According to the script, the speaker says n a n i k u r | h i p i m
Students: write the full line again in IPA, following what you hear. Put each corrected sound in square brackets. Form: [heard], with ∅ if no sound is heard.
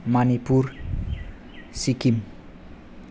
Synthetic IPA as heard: [m] a n i [p] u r | [s] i [k] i m